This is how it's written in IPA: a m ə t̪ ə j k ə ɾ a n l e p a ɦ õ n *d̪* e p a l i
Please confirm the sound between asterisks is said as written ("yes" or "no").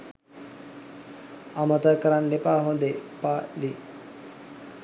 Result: yes